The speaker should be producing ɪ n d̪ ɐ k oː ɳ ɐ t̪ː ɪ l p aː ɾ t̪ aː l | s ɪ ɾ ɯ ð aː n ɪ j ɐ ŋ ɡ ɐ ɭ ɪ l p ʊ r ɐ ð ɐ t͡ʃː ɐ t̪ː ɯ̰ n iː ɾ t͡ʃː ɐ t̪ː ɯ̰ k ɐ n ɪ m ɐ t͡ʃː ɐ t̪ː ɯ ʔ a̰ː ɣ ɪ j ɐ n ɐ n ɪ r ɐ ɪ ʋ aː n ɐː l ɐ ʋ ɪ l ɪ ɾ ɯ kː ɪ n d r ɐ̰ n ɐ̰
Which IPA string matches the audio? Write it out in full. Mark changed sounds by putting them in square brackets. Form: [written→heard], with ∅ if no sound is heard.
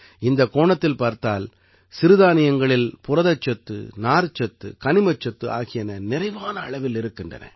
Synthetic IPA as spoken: ɪ n d̪ ɐ k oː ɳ ɐ t̪ː ɪ l p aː ɾ t̪ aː l | s ɪ ɾ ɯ ð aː n ɪ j ɐ ŋ ɡ ɐ ɭ ɪ l p ʊ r ɐ ð ɐ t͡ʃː ɐ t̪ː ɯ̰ n [iː→aː] ɾ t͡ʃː ɐ t̪ː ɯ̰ k ɐ n ɪ m ɐ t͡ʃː ɐ t̪ː ɯ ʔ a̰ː ɣ ɪ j ɐ n ɐ n ɪ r ɐ ɪ ʋ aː n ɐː [l→ɭ] ɐ ʋ ɪ l ɪ ɾ ɯ kː ɪ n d r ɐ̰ n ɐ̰

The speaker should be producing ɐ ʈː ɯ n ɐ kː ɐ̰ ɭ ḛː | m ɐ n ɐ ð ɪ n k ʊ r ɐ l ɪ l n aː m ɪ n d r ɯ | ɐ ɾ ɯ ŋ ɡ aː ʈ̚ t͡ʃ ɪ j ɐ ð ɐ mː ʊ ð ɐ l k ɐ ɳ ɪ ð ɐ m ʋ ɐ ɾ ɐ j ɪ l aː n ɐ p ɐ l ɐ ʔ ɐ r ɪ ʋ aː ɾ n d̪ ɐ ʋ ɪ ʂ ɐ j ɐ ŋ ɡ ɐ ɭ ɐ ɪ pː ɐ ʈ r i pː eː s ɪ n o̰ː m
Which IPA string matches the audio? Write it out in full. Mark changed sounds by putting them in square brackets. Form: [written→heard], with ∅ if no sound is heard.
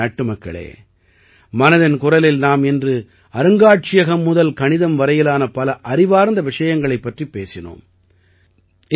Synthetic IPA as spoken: ɐ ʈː ɯ [n→m] ɐ kː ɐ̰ ɭ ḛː | m ɐ n ɐ ð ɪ n k ʊ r ɐ l ɪ l n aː m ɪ n d r ɯ | ɐ ɾ ɯ ŋ ɡ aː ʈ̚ t͡ʃ ɪ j ɐ [ð→ɣ] ɐ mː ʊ ð ɐ l k ɐ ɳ ɪ ð ɐ m ʋ ɐ ɾ ɐ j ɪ l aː n ɐ p ɐ l ɐ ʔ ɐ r ɪ ʋ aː ɾ n d̪ ɐ ʋ ɪ ʂ ɐ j ɐ ŋ ɡ ɐ ɭ ɐ ɪ pː ɐ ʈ r i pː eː s ɪ n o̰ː m

